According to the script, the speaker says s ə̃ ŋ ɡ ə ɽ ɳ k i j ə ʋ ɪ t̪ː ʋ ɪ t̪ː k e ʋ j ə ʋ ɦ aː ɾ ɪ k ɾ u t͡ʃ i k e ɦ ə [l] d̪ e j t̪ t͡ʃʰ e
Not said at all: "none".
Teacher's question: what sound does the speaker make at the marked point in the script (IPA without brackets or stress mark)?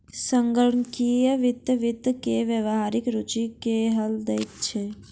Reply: l